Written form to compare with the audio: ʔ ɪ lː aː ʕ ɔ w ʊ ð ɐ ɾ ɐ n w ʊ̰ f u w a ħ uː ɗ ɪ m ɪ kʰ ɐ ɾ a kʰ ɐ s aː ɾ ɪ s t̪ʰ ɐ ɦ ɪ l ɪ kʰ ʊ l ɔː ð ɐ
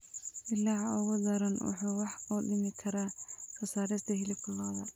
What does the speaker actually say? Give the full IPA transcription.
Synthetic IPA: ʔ ɪ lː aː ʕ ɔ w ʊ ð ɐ ɾ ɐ n w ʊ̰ ħ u w ɑ ħ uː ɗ ɪ m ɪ kʰ ɐ ɾ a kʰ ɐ s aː ɾ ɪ s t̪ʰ ɐ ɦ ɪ l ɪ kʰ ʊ l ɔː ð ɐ